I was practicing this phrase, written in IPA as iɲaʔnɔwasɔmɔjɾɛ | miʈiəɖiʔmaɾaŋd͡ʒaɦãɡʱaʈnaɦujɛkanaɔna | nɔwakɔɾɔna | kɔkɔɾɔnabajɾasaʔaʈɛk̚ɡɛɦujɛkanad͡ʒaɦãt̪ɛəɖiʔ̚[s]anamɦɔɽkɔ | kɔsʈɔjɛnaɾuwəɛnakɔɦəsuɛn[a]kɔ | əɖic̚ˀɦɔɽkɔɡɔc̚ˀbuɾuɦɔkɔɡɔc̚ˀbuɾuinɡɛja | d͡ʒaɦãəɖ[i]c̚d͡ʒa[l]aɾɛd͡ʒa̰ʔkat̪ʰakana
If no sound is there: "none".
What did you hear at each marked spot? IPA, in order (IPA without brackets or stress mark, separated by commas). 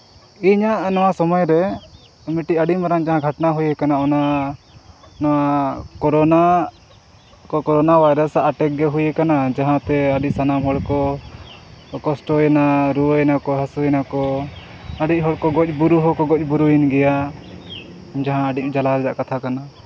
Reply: s, a, i, l